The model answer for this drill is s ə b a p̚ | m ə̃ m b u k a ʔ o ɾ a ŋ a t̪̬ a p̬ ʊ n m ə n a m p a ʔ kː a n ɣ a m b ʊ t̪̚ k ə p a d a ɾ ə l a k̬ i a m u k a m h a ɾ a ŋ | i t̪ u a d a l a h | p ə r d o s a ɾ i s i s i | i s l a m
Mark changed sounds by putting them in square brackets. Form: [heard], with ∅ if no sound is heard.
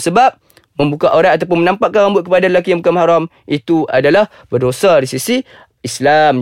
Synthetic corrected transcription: s ə b a p̚ | m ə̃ m b u k a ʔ o ɾ a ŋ a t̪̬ a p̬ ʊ n m ə n a m p a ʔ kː a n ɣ a m b ʊ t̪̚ k ə p a d a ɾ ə l a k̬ i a m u k a m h a ɾ a [m] | i t̪ u a d a l a h | [b] ə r d o s a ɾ i s i s i | i s l a m